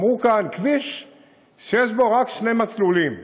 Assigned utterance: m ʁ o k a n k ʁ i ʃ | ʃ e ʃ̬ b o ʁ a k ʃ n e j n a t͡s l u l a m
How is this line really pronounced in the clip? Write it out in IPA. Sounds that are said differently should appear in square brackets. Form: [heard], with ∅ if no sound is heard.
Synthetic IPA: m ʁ [u] k a n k [v] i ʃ | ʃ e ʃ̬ b o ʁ a k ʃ n e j [m] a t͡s l u l [i] m